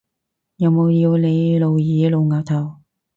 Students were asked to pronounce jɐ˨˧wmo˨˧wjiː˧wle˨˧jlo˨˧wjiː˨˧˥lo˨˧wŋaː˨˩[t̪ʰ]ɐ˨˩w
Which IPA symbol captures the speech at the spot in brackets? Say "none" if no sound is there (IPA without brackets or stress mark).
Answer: t̪ʰ